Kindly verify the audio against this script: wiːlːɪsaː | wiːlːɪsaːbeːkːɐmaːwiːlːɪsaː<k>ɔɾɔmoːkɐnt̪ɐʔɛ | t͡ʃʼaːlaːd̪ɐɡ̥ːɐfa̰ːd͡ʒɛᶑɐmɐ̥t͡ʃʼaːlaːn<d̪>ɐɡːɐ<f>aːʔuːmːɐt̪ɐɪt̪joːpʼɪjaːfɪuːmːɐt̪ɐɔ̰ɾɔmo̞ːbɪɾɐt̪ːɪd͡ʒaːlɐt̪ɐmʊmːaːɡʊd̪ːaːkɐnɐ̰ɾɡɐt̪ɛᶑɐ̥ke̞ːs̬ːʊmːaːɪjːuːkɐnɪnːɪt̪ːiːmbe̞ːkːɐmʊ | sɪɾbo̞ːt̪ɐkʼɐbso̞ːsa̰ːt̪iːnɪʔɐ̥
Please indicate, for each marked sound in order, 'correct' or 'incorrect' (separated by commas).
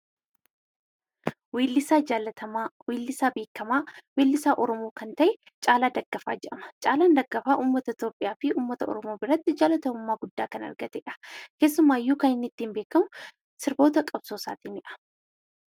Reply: incorrect, correct, correct